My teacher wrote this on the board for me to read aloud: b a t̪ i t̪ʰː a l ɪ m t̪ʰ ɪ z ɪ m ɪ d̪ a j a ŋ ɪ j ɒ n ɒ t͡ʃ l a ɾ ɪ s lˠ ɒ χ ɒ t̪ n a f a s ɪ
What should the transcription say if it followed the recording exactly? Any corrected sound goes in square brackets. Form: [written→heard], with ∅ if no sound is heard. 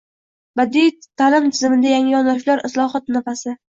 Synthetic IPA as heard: b a [t̪→d̪] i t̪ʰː a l ɪ m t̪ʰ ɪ z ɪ m ɪ d̪ a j a ŋ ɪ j ɒ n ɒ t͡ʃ l a ɾ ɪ s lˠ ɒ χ ɒ t̪ n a f a s ɪ